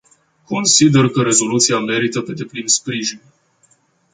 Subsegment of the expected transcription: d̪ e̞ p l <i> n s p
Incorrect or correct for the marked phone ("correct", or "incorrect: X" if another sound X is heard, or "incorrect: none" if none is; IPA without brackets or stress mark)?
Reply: correct